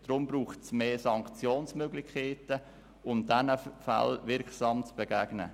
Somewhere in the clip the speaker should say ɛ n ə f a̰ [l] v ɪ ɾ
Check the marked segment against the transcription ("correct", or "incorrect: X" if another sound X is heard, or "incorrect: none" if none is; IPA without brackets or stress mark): correct